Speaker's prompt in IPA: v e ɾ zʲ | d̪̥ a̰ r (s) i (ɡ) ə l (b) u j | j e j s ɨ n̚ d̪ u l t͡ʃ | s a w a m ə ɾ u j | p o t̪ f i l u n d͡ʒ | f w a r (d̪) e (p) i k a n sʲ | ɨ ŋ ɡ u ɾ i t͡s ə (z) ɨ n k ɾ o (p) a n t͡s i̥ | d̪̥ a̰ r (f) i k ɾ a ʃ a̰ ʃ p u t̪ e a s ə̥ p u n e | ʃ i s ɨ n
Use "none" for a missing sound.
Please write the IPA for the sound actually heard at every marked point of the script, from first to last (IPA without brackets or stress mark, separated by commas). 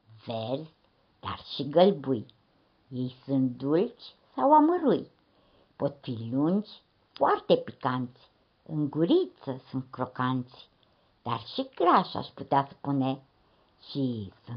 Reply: ʃ, ɡ, b, t̪, p, s, k, ʃ